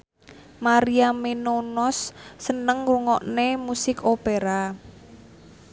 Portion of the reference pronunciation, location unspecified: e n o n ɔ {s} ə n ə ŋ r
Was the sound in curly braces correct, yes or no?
no